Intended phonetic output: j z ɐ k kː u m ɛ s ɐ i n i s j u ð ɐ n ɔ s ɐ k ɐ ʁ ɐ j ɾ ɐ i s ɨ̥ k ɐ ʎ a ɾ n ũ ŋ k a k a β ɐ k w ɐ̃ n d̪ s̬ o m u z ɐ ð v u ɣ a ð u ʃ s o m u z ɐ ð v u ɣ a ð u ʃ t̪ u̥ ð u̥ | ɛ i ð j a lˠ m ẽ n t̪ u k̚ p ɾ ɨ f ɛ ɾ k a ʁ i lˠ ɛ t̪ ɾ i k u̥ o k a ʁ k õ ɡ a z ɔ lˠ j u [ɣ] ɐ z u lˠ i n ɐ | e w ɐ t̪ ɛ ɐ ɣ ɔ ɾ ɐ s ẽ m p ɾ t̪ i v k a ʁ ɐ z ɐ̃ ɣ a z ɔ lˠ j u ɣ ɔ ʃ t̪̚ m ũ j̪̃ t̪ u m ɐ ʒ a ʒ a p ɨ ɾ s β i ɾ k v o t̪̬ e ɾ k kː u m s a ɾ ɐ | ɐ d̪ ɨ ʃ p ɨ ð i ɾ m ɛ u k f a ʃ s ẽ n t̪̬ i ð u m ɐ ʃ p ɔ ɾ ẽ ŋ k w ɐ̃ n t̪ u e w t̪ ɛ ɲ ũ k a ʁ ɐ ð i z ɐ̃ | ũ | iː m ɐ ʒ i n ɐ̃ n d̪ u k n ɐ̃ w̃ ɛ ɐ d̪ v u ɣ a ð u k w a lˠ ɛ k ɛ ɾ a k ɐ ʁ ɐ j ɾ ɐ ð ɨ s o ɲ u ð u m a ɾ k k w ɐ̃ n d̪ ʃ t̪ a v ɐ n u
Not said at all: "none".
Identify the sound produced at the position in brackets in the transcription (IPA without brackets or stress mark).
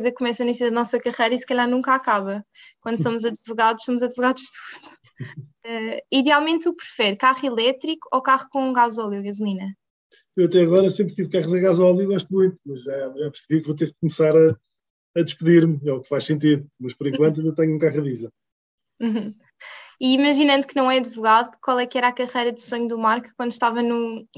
ɣ